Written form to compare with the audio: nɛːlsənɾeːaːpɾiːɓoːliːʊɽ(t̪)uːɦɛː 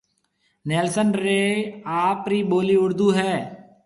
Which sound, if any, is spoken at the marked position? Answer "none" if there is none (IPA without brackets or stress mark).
d̪